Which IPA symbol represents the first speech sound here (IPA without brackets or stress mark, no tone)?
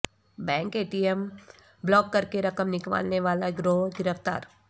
b